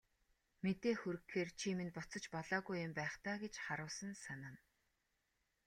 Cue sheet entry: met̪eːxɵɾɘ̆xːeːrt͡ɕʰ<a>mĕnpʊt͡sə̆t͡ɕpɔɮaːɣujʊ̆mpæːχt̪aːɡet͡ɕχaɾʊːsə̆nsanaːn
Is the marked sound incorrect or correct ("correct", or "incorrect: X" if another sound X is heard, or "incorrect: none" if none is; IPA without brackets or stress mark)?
incorrect: i